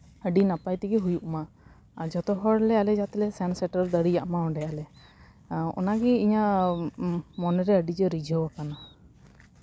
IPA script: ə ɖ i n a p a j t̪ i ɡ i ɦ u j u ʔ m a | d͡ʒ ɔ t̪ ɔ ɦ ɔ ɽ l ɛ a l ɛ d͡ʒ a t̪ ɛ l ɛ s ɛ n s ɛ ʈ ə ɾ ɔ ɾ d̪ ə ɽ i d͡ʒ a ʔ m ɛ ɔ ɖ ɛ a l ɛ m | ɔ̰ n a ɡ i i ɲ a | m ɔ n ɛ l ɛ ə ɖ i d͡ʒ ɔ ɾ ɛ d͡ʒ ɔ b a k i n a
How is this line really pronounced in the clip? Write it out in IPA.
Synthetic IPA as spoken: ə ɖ i n a p a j t̪ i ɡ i ɦ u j u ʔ m a | d͡ʒ ɔ t̪ ɔ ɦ ɔ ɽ l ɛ a l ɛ d͡ʒ a t̪ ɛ l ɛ s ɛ n s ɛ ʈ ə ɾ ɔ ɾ d̪ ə ɽ i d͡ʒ a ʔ m a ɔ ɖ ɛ a l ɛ | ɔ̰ n a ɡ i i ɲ a | m ɔ n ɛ ɾ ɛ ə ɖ i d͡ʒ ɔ ɾ i d͡ʒ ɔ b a k a n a